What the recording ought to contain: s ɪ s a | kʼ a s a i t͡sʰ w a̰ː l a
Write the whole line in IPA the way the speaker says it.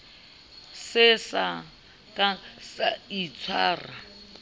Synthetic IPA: s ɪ s a | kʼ a s a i t͡sʰ w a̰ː r a